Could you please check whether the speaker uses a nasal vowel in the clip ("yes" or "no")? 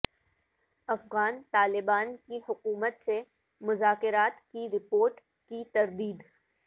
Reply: no